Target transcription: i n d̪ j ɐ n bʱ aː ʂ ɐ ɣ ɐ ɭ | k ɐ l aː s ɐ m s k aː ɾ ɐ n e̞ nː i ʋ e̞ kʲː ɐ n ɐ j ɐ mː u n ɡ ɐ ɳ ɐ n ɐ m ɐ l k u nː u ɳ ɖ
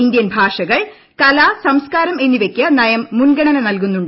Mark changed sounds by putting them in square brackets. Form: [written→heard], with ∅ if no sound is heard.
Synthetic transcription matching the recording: i n d̪ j ɐ n bʱ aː ʂ ɐ ɣ ɐ ɭ | k ɐ l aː s ɐ m s k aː ɾ ɐ [n→m] e̞ nː i ʋ e̞ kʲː ɐ n ɐ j ɐ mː u n ɡ ɐ ɳ ɐ n ɐ [m→n] ɐ l k u nː u ɳ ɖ